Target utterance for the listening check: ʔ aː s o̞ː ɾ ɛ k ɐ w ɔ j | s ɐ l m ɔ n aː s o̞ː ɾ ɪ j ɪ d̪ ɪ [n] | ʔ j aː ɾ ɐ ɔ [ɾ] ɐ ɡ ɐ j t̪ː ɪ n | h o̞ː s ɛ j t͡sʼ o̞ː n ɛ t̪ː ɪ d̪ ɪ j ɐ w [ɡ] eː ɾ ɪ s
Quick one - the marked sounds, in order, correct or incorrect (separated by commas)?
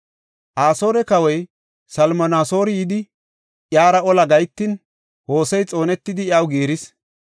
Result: incorrect, incorrect, correct